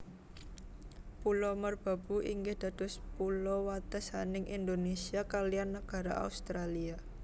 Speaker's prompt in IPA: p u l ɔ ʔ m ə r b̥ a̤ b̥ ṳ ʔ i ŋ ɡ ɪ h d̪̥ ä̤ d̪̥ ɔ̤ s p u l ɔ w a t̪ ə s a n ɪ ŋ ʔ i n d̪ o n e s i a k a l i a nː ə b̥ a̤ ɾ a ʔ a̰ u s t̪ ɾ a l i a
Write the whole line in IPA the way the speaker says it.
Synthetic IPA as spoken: p u l ɔ m ə r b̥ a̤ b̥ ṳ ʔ i ŋ ɡ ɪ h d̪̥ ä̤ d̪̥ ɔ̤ s p u l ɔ w a t̪ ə s a n ɪ ŋ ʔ i n d̪ o n e s i a k a l i a nː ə ɡ̥ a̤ ɾ a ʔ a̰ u s t̪ ɾ a l i a